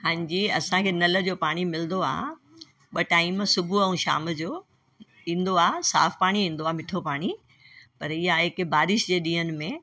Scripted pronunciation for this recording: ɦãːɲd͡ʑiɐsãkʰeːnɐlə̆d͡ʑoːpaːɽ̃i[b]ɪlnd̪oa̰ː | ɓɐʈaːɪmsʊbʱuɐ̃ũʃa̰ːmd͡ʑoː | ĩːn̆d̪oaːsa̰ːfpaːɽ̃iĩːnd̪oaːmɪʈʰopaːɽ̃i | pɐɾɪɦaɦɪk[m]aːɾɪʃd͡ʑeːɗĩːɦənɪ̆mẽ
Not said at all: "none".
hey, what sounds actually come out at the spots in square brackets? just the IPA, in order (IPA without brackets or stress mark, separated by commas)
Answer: m, b